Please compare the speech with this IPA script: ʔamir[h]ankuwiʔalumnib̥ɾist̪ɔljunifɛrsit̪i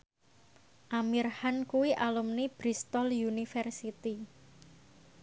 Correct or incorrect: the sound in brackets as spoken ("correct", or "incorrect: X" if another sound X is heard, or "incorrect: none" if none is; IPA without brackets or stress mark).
correct